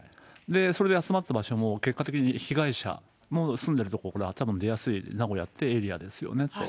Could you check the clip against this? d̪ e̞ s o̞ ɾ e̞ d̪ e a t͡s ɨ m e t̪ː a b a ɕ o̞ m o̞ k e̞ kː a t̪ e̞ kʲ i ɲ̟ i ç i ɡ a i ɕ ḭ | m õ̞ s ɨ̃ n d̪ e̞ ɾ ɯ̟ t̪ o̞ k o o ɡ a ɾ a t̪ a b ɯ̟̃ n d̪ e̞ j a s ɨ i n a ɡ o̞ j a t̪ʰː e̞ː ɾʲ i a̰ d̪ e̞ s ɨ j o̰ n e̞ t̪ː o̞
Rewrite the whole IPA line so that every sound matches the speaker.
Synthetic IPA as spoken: d̪ e̞ s o̞ ɾ e̞ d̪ e a t͡s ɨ m a t̪ː a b a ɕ o̞ m o̞ k e̞ kː a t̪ e̞ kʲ i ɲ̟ i ç i ɡ a i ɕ a̰ | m o̞ s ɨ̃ n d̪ e̞ ɾ ɯ̟ t̪ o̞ k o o k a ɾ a t̪ a b ɯ̟̃ n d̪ e̞ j a s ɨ i n a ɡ o̞ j a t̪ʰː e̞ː ɾʲ i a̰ d̪ e̞ s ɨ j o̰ n e̞ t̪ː o̞

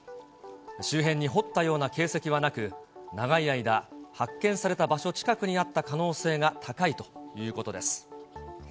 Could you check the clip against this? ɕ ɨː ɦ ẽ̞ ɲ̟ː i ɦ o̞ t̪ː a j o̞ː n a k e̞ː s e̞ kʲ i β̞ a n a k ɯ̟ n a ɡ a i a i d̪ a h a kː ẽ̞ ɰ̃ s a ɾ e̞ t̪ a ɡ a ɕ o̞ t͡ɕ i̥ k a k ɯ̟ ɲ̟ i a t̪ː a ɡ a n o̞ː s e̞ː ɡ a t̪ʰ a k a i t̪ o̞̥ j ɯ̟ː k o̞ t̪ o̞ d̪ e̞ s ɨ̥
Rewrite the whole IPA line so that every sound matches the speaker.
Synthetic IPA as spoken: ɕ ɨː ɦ ẽ̞ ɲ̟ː i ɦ o̞ t̪ː a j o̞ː n a k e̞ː s e̞ kʲ i β̞ a n a k ɯ̟ n a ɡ a i a i d̪ a h a kː ẽ̞ ɰ̃ s a ɾ e̞ t̪ a b a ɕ o̞ t͡ɕ i̥ k a k ɯ̟ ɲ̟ i a t̪ː a k a n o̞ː s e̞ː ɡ a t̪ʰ a k a i t̪ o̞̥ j ɯ̟ː k o̞ t̪ o̞ d̪ e̞ s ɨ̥

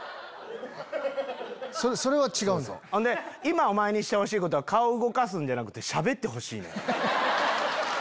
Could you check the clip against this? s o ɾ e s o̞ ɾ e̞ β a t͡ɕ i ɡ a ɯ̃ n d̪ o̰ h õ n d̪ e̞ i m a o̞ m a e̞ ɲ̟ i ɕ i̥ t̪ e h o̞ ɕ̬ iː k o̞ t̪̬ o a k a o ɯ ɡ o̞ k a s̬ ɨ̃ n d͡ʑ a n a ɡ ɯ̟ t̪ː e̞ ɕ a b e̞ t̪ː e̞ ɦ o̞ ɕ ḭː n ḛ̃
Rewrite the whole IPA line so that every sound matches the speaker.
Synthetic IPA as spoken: s o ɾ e s o̞ ɾ e̞ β a t͡ɕ i ɡ a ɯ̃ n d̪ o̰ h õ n d̪ e̞ i m a o̞ m a e̞ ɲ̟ i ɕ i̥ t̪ e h o̞ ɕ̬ iː k o̞ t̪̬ o a k a o ɯ ɡ o̞ k a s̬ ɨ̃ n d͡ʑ a n a k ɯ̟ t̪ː e̞ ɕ a b e̞ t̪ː e̞ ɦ o̞ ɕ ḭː n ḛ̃

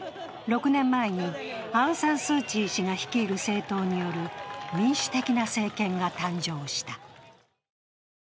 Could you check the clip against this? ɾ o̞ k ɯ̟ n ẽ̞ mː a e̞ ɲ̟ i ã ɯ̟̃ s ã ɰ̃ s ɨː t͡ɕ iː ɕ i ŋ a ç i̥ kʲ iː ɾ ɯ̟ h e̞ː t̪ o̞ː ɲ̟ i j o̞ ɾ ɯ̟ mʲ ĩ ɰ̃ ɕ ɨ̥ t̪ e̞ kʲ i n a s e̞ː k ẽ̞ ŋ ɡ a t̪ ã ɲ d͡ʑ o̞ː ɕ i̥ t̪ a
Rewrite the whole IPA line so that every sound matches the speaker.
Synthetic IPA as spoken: ɾ o̞ k ɯ̟ n ẽ̞ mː a e̞ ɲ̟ i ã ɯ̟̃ s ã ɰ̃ s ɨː t͡ɕ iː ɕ i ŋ a ç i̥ kʲ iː ɾ ɯ̟ s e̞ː t̪ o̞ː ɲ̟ i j o̞ ɾ ɯ̟ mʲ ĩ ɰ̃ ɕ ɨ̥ t̪ e̞ kʲ i n a s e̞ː k ẽ̞ ŋ ɡ a t̪ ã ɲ d͡ʑ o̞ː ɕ i̥ t̪ a

